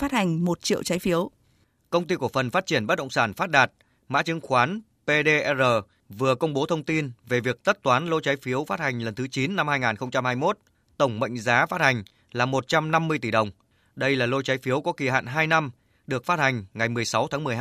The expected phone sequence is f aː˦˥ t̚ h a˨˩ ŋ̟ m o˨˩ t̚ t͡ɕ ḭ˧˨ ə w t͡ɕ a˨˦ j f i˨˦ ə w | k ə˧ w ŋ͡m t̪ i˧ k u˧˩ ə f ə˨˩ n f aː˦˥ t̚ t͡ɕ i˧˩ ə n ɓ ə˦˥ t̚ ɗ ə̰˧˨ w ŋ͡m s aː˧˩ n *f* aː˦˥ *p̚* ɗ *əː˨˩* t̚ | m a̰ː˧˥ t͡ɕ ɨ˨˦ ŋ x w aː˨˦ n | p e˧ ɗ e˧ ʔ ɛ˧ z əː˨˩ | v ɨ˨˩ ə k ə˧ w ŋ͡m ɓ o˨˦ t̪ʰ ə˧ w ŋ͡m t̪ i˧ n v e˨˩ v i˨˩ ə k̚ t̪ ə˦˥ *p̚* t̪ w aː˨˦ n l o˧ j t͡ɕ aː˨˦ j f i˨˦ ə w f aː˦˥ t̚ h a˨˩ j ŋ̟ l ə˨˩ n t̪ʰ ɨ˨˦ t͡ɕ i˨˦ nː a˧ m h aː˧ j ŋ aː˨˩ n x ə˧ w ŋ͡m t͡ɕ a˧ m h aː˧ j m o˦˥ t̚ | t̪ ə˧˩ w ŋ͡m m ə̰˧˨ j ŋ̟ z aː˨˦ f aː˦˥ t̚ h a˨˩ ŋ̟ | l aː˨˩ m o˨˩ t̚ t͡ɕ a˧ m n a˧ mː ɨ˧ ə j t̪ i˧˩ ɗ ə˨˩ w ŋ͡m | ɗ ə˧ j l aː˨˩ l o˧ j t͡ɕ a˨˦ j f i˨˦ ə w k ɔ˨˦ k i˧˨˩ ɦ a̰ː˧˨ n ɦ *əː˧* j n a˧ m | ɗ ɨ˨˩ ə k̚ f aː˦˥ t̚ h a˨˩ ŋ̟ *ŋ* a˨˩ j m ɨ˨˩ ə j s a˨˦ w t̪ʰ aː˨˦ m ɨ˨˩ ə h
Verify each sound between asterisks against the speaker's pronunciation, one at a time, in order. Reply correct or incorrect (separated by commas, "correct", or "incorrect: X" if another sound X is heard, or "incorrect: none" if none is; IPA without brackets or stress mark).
correct, incorrect: t̚, incorrect: aː˨˩, incorrect: t̚, incorrect: aː˧, correct